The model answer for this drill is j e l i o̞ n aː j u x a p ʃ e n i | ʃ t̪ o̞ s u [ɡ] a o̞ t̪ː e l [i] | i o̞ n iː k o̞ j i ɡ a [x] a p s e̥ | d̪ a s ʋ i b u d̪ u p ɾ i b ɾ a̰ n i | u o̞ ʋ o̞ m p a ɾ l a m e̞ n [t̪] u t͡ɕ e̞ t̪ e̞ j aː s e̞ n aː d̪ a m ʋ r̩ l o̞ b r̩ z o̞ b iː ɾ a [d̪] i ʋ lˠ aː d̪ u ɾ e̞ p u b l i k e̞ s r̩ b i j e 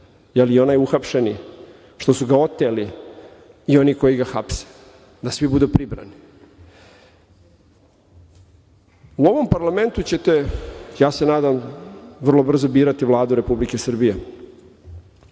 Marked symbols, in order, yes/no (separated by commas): yes, yes, yes, yes, no